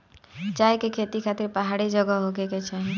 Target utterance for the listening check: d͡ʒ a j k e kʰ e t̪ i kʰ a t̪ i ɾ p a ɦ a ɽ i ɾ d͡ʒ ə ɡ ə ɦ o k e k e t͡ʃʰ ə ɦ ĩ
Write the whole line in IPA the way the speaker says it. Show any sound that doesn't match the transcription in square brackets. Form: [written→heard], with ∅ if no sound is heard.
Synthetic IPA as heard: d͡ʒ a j k e kʰ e t̪ i kʰ a t̪ i ɾ p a ɦ a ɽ i [ɾ→∅] d͡ʒ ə ɡ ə ɦ o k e k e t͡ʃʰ [ə→a] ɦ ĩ